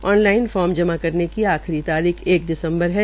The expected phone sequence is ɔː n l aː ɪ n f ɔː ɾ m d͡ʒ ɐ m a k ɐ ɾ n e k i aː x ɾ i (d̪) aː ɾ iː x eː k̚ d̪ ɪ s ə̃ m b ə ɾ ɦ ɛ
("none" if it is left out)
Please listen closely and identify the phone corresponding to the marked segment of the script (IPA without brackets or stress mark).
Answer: t̪